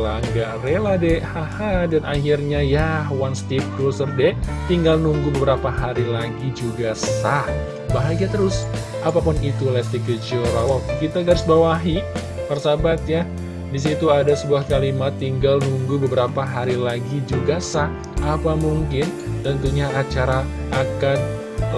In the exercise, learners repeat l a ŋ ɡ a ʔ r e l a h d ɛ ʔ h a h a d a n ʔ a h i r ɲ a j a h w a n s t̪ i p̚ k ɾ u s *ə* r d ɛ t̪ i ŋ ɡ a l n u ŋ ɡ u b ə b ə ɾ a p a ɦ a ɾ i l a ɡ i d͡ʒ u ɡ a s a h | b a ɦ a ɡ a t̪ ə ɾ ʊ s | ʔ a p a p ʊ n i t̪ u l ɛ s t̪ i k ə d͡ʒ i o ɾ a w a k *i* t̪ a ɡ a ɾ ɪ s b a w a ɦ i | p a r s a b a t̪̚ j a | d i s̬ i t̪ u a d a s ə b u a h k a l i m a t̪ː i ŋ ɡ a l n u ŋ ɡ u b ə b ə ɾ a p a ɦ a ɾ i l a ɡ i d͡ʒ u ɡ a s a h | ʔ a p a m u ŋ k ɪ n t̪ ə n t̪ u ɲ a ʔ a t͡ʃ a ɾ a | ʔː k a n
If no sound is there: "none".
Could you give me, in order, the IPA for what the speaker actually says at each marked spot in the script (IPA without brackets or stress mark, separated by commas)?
ə, i